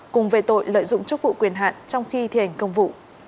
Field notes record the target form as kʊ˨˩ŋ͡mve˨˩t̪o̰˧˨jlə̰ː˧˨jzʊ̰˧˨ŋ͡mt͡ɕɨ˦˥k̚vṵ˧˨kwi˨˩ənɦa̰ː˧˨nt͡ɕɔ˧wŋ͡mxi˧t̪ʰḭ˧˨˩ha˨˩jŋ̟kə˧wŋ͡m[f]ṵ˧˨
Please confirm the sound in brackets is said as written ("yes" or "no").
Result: no